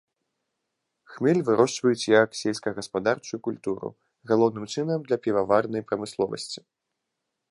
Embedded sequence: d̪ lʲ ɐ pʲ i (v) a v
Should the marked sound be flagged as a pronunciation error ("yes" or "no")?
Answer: no